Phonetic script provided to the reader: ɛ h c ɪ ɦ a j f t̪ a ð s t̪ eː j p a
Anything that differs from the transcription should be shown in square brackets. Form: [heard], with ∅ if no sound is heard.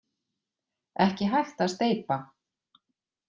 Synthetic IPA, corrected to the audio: ɛ h c ɪ ɦ a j [x] t̪ a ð s t̪ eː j p a